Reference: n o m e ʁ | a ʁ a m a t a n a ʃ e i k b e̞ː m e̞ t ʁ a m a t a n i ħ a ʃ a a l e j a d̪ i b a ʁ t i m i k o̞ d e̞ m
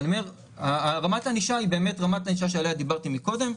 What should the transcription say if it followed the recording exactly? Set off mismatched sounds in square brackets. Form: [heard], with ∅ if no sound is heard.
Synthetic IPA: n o m e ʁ | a ʁ a m a t a n [i] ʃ [a] i [∅] b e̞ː m e̞ t ʁ a m a t a n i [ʃ] a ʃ [e] a l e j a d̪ i b a ʁ t i m i k o̞ d e̞ m